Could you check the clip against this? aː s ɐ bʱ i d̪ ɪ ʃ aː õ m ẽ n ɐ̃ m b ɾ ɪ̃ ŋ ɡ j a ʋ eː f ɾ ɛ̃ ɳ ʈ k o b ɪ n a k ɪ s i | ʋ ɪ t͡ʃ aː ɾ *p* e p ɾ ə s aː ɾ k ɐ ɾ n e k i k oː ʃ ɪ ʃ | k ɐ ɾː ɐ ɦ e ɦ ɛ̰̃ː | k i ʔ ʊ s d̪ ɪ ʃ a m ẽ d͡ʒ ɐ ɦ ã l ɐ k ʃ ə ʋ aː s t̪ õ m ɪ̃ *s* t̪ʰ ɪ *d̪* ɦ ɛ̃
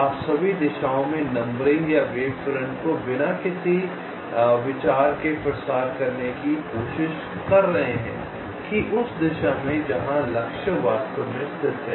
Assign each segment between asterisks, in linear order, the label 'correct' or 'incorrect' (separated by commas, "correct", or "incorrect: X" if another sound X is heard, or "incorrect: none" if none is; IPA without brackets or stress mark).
incorrect: k, correct, incorrect: t̪